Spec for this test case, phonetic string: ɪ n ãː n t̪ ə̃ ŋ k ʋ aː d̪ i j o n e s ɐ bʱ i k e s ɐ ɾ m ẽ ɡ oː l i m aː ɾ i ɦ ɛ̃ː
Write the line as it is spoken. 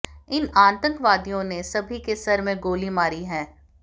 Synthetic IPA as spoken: ɪ n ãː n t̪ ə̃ ŋ k ʋ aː d̪ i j õ n e s ɐ bʱ i k e s ɐ ɾ m ẽ ɡ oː l i m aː ɾ i ɦ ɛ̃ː

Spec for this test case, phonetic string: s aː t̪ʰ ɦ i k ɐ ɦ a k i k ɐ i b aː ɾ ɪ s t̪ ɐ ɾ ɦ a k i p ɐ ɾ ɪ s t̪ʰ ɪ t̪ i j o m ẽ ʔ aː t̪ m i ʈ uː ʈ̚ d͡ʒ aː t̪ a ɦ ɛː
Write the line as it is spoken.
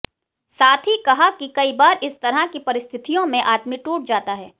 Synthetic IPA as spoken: s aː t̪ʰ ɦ i k ɐ ɦ a k i k ɐ i b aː ɾ ɪ s t̪ ɐ ɾ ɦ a k i p ɐ ɾ ɪ s t̪ʰ ɪ t̪ i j õ m ẽ ʔ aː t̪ m i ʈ uː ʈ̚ d͡ʒ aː t̪ a ɦ ɛː

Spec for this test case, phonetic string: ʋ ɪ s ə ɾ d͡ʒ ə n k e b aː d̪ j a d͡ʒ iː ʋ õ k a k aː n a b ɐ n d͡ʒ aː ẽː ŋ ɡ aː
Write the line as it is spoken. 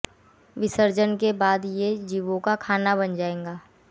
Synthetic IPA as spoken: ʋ ɪ s ə ɾ d͡ʒ ə n k e b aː d̪ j e d͡ʒ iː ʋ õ k a kʰ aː n a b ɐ n d͡ʒ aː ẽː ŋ ɡ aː

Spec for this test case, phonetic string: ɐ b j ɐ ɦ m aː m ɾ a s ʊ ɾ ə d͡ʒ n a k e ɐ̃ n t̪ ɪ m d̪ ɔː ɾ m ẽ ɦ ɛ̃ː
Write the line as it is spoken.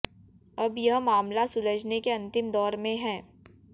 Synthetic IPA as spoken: ɐ b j ɐ ɦ m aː m l a s ʊ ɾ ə d͡ʒ n e k e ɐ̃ n t̪ ɪ m d̪ ɔː ɾ m ẽ ɦ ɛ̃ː

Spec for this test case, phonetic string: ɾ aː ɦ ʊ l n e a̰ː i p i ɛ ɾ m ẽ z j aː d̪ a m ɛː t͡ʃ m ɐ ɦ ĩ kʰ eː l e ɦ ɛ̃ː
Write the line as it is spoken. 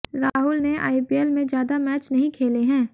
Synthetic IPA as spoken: ɾ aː ɦ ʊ l n e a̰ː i p i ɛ l m ẽ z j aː d̪ a m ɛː t͡ʃ n ɐ ɦ ĩ kʰ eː l e ɦ ɛ̃ː

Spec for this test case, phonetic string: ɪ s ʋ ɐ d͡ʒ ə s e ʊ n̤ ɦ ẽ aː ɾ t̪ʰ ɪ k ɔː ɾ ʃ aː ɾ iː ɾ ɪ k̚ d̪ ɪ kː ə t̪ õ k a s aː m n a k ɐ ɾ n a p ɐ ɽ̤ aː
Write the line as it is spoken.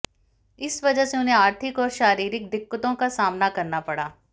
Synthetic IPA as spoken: ɪ s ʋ ɐ d͡ʒ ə s e ʊ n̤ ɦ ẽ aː ɾ t̪ʰ ɪ k ɔː ɾ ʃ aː ɾ iː ɾ ɪ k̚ d̪ ɪ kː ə t̪ õ k a s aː m n a k ɐ ɾ n a p ɐ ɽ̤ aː

